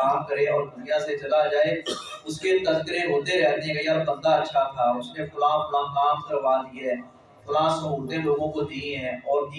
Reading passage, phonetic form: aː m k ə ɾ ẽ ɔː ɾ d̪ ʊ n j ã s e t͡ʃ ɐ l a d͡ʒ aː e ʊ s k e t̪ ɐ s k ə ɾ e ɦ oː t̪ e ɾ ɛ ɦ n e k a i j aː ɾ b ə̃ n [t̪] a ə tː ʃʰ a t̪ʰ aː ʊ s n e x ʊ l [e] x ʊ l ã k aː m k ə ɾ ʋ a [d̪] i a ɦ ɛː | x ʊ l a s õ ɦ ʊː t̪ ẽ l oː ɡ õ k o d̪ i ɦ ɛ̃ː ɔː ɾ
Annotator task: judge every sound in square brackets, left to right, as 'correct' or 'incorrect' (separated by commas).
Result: incorrect, incorrect, correct